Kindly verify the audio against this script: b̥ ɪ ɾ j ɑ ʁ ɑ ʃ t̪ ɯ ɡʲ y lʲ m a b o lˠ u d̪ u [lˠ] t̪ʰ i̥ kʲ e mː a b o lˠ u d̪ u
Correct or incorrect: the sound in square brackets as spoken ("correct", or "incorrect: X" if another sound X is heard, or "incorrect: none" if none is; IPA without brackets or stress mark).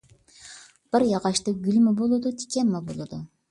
incorrect: none